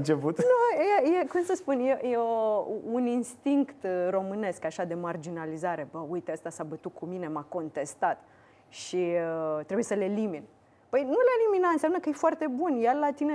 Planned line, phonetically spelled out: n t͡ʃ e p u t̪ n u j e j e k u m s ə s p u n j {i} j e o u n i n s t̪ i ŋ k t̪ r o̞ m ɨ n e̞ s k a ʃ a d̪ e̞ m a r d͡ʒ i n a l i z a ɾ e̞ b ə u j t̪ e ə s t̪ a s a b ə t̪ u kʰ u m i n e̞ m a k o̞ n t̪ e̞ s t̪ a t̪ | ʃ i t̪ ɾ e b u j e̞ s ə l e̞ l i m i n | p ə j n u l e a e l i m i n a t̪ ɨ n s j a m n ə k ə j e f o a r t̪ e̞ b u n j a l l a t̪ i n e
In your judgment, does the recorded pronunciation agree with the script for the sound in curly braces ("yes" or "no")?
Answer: no